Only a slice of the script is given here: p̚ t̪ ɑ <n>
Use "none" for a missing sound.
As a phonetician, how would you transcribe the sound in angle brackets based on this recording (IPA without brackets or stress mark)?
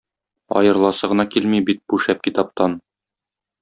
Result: n